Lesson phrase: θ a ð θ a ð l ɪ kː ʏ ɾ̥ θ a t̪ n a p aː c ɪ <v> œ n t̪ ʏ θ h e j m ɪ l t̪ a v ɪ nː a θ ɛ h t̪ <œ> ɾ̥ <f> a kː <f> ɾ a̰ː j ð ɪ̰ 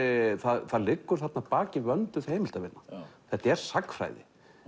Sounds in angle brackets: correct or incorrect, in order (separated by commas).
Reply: correct, incorrect, incorrect, correct